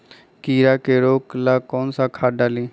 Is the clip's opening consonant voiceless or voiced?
voiceless